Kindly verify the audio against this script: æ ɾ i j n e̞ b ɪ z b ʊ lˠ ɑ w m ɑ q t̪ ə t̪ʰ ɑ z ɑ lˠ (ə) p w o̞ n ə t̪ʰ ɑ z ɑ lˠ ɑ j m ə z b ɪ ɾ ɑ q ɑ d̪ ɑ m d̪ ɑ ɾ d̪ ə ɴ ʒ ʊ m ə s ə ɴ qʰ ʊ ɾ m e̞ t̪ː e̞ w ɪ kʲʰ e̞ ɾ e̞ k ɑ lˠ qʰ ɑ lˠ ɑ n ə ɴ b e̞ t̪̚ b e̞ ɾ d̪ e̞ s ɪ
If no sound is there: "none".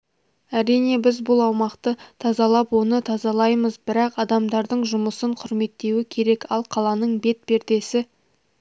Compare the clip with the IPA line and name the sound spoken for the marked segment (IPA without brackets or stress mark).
ɑ